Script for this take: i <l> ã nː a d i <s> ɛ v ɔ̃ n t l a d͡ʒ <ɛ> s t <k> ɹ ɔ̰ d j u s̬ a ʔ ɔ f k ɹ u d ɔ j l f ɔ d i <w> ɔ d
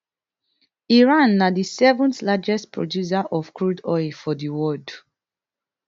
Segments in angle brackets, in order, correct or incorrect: incorrect: ɹ, correct, correct, incorrect: p, correct

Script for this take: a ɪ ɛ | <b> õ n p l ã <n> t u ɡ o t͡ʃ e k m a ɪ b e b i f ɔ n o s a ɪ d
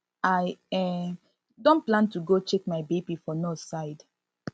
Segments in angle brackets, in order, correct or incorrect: incorrect: d, correct

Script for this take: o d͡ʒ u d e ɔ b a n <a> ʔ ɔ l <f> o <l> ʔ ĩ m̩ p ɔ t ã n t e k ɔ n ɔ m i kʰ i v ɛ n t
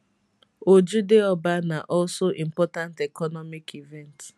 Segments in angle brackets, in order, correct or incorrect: correct, incorrect: s, incorrect: none

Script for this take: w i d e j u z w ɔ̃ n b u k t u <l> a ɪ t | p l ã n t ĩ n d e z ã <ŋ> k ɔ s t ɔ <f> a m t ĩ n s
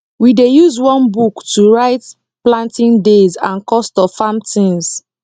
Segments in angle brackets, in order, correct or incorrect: incorrect: ɹ, incorrect: n, correct

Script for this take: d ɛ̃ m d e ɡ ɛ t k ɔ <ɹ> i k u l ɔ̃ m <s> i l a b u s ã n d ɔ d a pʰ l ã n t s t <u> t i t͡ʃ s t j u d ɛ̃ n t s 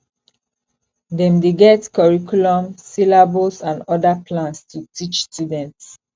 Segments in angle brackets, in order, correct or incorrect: correct, correct, correct

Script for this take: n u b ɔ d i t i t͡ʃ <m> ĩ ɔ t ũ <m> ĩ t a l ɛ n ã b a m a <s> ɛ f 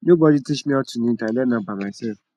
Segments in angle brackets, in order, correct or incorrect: correct, incorrect: n, correct

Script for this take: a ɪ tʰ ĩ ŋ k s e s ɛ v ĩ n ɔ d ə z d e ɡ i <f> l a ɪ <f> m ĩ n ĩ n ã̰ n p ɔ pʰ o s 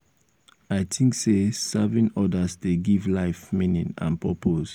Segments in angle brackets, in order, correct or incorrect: incorrect: v, correct

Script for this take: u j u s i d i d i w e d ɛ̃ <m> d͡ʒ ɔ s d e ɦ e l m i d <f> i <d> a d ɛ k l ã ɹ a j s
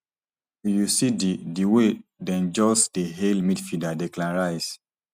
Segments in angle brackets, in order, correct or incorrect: incorrect: n, correct, correct

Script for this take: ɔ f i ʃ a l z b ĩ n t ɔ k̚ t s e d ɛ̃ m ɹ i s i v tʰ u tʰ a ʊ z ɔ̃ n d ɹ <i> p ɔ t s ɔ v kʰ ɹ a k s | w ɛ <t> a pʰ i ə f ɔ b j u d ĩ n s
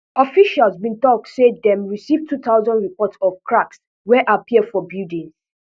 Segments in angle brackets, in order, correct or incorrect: correct, incorrect: ʔ

